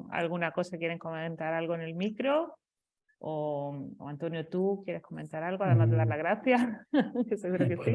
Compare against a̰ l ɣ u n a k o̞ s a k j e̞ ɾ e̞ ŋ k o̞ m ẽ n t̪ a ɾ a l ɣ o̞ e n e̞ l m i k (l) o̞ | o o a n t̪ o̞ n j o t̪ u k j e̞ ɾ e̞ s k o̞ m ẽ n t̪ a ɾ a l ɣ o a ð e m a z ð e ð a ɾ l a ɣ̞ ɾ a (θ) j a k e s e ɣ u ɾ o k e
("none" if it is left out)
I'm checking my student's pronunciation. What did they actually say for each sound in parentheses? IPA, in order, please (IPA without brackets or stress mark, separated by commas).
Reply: ɾ, θ